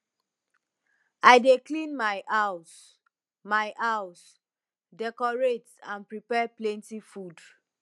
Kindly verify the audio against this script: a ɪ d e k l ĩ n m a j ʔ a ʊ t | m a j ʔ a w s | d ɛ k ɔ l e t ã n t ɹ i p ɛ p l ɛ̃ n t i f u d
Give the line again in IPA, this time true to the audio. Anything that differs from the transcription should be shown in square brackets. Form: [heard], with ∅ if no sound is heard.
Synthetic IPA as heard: a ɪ d e k l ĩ n m a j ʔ a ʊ [s] | m a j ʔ a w s | d ɛ k ɔ [ɹ] e t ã n [p] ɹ i p ɛ p l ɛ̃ n t i f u d